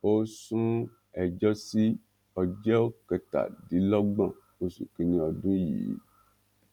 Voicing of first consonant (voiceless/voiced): voiceless